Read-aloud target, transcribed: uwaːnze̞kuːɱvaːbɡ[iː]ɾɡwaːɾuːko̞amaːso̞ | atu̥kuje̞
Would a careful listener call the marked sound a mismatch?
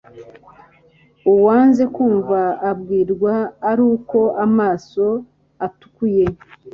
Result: no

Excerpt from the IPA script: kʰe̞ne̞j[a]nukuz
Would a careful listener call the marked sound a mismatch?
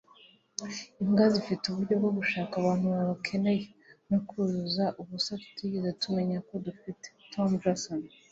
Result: yes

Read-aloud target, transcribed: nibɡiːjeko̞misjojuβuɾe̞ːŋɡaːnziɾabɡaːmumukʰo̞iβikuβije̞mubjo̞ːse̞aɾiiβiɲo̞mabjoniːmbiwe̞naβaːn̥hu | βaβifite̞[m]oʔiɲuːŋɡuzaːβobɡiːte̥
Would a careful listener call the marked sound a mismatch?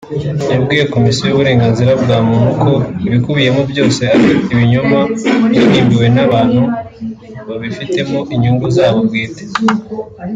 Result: no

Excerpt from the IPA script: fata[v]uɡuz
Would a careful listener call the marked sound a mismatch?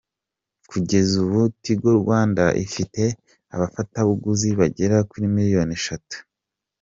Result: yes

